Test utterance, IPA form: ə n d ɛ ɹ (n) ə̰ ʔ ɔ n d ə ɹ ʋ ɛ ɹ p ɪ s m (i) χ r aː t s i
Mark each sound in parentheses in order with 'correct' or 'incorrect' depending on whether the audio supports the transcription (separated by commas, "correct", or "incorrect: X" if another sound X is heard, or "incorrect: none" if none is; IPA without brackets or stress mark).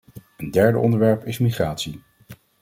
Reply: incorrect: d, correct